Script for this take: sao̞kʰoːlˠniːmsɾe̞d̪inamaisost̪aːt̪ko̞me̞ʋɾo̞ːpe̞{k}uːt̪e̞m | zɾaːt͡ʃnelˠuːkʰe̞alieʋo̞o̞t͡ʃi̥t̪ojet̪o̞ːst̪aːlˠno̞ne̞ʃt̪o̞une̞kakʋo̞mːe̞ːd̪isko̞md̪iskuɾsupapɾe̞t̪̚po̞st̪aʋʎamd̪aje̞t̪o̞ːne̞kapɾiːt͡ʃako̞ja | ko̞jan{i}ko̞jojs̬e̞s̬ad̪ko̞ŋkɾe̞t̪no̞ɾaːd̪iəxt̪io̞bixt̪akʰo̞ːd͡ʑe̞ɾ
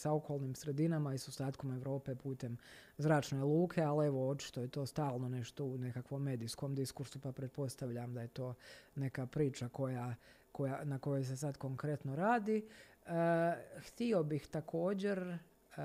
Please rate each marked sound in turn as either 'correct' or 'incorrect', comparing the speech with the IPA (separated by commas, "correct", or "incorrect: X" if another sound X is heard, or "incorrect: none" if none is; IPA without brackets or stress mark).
incorrect: p, incorrect: a